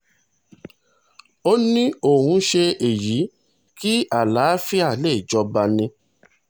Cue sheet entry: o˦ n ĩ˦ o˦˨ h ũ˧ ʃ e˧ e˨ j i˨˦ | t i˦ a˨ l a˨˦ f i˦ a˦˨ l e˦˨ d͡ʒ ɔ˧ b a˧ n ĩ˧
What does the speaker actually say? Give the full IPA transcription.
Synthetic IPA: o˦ n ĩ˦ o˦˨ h ũ˧ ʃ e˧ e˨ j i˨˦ | k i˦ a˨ l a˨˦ f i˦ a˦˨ l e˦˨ d͡ʒ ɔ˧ b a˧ n ĩ˧